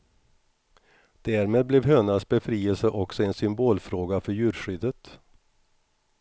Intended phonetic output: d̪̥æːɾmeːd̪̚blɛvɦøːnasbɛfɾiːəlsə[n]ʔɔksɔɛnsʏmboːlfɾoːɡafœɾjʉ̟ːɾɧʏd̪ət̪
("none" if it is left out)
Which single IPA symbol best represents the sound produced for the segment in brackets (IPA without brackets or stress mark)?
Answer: none